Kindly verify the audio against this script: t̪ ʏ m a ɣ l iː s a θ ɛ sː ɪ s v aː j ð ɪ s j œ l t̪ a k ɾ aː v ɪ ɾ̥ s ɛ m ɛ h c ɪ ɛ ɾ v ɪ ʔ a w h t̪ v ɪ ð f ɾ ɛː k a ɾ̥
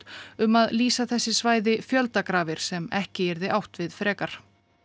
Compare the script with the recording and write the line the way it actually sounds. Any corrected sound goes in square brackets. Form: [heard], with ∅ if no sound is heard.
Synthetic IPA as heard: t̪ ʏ m a [ð] l iː s a θ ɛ sː ɪ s v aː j ð ɪ [f] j œ l t̪ a k ɾ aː v ɪ ɾ̥ s ɛ m ɛ h c ɪ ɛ ɾ [ð] ɪ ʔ a w h t̪ v ɪ ð f ɾ ɛː k a ɾ̥